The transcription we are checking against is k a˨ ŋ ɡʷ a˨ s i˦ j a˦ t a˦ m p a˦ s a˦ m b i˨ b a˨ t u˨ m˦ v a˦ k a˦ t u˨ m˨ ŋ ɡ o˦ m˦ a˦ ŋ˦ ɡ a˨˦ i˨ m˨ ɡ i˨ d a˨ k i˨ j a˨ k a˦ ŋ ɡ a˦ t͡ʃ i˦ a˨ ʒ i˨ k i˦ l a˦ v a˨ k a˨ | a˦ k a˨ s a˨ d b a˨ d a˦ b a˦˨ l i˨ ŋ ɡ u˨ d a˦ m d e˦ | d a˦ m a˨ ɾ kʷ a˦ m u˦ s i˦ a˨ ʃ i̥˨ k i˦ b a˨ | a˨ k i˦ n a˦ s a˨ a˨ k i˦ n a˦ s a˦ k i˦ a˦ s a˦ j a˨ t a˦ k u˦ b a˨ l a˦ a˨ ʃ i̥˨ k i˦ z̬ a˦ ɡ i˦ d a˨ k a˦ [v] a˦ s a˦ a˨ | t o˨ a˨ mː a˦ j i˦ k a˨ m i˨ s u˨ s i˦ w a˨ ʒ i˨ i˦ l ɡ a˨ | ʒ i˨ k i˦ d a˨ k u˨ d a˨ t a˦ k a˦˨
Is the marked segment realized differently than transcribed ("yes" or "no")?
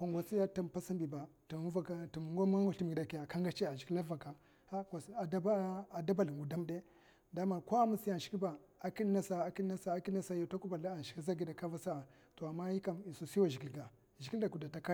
no